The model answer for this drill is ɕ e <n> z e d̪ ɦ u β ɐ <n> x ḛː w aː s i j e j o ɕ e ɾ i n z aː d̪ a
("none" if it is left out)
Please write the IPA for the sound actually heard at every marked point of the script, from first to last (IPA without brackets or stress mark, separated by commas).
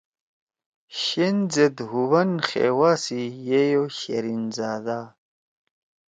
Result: n, n